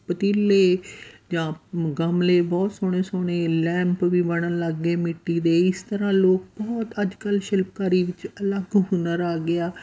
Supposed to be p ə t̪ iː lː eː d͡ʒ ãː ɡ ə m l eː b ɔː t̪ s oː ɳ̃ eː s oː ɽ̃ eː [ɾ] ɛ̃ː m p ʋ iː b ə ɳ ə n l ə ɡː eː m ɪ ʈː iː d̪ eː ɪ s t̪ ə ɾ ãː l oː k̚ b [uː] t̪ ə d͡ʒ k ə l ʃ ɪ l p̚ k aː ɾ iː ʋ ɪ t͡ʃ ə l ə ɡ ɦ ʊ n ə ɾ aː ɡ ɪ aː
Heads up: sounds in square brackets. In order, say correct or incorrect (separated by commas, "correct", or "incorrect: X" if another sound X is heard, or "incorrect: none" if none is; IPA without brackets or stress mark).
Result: incorrect: l, incorrect: ɔː